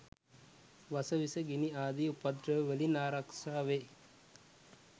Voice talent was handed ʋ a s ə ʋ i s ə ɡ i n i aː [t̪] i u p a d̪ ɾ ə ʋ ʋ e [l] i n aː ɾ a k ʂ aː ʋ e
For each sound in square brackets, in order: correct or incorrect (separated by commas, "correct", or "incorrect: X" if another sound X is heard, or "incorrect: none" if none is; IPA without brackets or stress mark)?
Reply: incorrect: d̪, correct